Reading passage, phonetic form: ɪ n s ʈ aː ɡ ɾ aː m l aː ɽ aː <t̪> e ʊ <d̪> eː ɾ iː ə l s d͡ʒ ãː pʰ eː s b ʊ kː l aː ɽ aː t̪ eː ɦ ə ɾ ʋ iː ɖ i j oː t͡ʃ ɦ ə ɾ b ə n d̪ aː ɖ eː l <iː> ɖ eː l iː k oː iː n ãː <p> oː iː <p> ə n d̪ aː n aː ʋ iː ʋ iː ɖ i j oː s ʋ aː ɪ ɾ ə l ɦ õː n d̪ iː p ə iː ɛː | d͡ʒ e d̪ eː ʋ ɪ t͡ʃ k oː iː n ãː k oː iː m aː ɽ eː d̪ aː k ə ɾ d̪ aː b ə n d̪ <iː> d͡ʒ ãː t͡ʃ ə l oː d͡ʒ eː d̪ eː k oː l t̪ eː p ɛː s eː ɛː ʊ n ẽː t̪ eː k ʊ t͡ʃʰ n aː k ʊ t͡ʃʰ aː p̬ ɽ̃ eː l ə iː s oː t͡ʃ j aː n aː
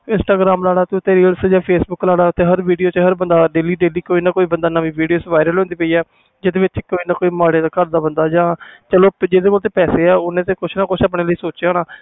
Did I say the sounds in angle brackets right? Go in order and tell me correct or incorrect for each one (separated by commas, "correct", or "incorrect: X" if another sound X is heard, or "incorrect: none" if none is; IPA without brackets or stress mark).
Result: correct, incorrect: t̪, correct, incorrect: k, incorrect: b, incorrect: aː